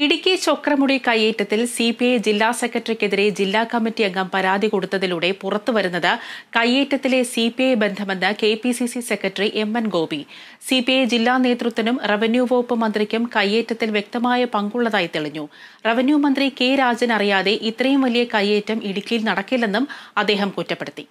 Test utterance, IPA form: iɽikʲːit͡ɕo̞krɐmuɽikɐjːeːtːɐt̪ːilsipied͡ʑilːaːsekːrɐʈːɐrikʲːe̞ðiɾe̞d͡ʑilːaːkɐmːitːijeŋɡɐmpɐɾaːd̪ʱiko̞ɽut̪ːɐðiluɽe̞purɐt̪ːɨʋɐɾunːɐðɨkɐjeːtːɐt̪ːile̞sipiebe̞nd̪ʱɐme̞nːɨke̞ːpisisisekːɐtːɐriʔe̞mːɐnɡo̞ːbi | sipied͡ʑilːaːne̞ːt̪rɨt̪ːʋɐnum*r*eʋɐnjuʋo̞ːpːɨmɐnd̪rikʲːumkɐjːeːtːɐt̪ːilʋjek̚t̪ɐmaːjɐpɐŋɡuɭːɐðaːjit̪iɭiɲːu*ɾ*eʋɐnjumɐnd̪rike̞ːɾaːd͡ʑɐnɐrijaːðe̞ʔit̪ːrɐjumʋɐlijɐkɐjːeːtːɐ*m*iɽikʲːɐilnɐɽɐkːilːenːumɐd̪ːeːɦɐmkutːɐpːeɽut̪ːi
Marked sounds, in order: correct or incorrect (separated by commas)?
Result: correct, incorrect, correct